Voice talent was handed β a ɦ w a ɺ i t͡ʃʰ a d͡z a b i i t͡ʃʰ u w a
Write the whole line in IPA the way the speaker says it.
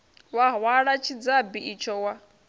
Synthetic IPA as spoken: w a ɦ w a ɺ a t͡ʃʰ i d͡z a b i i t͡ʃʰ ɔ w a